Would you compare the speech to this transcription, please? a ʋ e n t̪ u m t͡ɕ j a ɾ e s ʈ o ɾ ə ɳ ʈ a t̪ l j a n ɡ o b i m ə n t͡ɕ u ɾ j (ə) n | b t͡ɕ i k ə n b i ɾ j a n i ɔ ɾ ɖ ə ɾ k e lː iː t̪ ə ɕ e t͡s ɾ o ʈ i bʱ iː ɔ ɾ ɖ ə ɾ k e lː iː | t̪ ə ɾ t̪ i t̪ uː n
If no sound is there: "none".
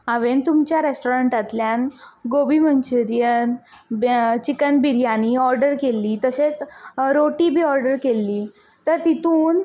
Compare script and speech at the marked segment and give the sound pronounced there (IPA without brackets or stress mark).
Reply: ə